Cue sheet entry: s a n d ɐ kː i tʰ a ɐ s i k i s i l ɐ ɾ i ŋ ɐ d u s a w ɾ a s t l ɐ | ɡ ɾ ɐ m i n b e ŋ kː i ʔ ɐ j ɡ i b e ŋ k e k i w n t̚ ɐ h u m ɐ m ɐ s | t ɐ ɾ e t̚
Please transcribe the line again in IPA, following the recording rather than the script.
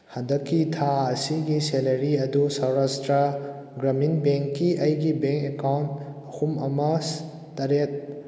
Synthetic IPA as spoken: h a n d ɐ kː i tʰ a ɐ s i ɡ i s e l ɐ ɾ i ɐ d u s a w ɾ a s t ɾ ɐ | ɡ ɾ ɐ m i n b e ŋ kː i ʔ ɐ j ɡ i b e ŋ k e k a w n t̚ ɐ h u m ɐ m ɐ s | t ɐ ɾ e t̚